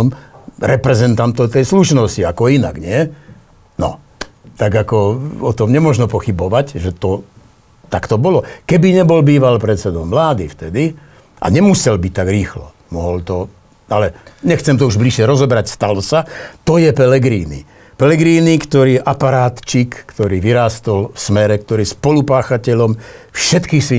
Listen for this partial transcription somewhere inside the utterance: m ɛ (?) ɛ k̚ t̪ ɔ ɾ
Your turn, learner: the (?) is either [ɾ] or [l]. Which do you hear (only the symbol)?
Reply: ɾ